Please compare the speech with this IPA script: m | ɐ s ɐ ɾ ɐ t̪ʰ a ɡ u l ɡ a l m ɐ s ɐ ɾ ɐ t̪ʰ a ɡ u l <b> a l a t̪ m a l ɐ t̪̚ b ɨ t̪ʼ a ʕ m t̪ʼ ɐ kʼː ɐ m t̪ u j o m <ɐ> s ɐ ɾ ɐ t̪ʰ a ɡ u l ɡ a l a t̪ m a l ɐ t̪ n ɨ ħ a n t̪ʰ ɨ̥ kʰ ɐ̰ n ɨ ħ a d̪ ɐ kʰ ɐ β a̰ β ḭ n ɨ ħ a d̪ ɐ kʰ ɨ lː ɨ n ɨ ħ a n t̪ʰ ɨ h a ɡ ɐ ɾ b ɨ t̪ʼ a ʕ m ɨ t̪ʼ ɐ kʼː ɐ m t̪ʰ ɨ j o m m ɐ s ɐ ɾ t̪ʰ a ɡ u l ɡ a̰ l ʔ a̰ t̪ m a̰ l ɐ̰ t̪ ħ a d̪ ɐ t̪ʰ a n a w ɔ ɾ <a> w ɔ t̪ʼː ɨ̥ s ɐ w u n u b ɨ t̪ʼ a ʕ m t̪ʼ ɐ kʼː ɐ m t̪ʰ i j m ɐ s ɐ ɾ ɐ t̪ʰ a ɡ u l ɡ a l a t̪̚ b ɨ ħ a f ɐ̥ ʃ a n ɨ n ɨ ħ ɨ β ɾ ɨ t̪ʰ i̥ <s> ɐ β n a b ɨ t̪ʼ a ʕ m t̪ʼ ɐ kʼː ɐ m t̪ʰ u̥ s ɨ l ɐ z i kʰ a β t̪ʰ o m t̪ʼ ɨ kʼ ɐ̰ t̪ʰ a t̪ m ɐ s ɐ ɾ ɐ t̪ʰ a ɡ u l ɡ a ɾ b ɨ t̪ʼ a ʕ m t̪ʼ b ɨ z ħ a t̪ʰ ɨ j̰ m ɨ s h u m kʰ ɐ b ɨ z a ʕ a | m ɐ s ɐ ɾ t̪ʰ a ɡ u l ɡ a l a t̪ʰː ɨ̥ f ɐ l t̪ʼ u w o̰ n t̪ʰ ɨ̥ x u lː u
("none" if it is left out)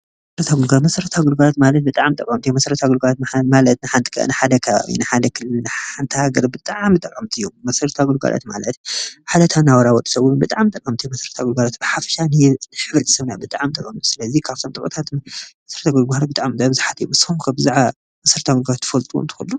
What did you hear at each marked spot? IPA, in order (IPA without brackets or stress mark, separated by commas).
ɡ, ɐ, a, s